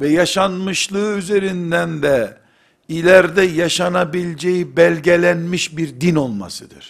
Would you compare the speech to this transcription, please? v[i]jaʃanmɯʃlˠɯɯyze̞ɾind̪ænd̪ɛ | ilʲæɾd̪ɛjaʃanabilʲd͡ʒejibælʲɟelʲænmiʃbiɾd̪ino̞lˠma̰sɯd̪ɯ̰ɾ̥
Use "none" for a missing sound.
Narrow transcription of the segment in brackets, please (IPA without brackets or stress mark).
ɛ